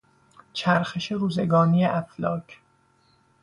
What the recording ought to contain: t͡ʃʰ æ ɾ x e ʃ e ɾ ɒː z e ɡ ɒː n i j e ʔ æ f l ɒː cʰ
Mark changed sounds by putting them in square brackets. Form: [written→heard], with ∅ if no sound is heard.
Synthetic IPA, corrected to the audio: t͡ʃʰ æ ɾ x e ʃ e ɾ [ɒː→uː] z e ɡ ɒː n i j e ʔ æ f l ɒː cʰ